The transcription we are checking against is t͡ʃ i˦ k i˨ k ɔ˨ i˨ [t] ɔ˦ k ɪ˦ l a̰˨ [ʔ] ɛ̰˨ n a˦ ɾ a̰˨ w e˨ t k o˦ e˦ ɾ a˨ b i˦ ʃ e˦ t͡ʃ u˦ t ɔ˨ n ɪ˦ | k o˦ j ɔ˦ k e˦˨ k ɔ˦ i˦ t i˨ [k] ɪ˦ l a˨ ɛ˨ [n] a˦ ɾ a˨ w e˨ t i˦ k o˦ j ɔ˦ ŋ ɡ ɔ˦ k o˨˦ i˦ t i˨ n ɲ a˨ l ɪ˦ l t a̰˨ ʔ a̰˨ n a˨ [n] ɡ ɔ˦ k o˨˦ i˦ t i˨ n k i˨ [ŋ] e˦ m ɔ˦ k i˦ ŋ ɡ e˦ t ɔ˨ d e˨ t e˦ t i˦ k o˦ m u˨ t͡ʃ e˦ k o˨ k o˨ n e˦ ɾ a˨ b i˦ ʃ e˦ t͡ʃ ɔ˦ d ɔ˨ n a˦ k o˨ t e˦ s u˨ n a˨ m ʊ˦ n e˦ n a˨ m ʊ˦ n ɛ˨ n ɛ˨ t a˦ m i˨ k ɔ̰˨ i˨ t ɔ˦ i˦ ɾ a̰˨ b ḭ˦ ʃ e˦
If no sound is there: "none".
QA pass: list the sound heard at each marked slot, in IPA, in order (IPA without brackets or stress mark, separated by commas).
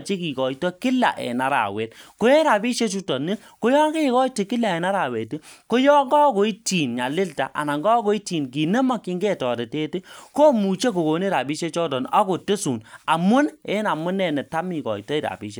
t, ʔ, k, n, ŋ, n